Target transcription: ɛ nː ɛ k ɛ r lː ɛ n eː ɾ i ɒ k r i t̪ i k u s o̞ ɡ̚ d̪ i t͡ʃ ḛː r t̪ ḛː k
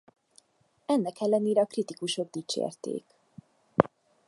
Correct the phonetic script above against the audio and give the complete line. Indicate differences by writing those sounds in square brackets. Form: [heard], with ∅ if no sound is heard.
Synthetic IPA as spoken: ɛ nː ɛ k ɛ [∅] lː ɛ n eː ɾ [ɛ] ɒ k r i t̪ i k u [ʃ] o̞ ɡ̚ d̪ i t͡ʃ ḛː r t̪ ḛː k

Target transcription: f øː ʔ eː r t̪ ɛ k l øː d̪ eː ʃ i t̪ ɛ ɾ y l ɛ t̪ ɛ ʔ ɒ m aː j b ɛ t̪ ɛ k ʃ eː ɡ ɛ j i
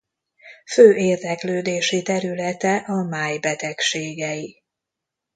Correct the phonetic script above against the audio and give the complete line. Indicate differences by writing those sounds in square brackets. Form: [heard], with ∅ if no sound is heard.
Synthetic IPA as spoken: f øː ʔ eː r [d̪] ɛ k l øː d̪ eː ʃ i t̪ ɛ ɾ y l ɛ t̪ ɛ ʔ ɒ m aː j b ɛ t̪ ɛ k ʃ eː ɡ ɛ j i

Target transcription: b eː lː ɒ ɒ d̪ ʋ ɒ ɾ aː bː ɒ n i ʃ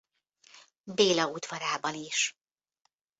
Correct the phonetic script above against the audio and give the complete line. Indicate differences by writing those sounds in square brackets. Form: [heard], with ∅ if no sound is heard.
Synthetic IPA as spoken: b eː [l] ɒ [u] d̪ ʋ ɒ ɾ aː [b] ɒ n i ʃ

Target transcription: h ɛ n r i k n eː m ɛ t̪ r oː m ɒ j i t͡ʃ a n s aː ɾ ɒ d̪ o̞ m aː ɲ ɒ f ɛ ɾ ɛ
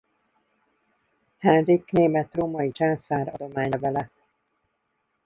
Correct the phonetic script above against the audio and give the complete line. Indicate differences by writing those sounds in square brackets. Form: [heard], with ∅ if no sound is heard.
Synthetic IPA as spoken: h ɛ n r i k n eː m ɛ t̪ r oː m ɒ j i t͡ʃ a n s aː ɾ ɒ d̪ o̞ m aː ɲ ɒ [v] ɛ [l] ɛ

